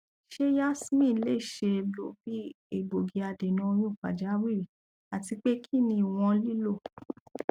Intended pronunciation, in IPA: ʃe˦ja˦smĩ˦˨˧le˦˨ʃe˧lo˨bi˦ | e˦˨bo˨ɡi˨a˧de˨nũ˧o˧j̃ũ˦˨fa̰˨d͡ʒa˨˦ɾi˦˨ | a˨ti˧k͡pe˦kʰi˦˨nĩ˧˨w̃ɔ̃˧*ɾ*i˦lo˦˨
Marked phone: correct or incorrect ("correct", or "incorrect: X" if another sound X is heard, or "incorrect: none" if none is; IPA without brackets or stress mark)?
incorrect: l